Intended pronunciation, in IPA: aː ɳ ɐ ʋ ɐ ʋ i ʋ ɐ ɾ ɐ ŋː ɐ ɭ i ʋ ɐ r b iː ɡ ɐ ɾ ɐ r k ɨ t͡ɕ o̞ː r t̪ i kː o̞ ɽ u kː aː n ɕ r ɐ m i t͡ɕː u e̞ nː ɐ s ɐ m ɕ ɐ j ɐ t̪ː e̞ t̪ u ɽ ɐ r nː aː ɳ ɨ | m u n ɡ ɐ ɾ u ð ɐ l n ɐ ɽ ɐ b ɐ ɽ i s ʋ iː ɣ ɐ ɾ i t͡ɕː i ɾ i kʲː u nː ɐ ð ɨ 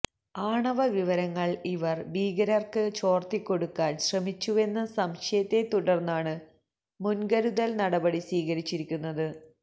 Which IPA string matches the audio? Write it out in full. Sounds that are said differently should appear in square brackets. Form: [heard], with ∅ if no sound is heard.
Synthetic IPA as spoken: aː ɳ ɐ ʋ ɐ ʋ i ʋ ɐ ɾ ɐ ŋː ɐ ɭ i ʋ ɐ r b iː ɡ ɐ ɾ ɐ r k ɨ t͡ɕ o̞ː r t̪ i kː o̞ ɽ u kː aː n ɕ r ɐ m i t͡ɕː u e̞ nː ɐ s ɐ m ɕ ɐ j ɐ t̪ː e̞ t̪ u ɽ ɐ r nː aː ɳ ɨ | m u n ɡ ɐ ɾ u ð ɐ l n ɐ ɽ ɐ b ɐ ɽ i s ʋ iː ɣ ɐ ɾ i t͡ɕː i ɾ i kʲː u nː ɐ ð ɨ